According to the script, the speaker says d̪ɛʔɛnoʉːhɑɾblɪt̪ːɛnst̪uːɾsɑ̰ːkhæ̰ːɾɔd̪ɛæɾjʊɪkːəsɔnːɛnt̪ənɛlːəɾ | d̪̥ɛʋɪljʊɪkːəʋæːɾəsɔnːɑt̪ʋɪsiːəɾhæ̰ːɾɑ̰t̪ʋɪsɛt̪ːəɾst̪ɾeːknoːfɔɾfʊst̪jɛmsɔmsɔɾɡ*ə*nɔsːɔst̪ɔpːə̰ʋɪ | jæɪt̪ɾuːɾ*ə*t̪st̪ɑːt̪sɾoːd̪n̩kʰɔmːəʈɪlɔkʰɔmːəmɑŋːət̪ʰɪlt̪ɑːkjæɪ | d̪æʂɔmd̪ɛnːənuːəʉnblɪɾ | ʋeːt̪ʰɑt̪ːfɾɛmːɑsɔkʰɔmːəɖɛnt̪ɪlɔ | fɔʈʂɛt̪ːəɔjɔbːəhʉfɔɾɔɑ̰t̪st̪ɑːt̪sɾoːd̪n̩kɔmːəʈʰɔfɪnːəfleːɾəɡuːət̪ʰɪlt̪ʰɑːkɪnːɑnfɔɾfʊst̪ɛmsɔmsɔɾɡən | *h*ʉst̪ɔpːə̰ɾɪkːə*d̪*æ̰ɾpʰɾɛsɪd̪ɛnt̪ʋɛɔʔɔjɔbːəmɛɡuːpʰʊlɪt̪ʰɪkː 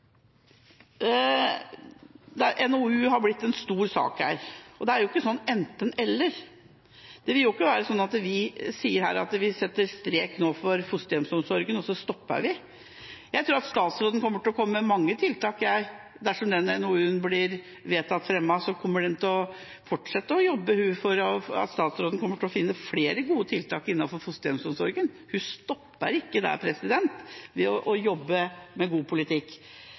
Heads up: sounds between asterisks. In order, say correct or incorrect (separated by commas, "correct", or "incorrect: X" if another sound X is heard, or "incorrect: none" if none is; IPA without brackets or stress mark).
correct, incorrect: ɑ, correct, correct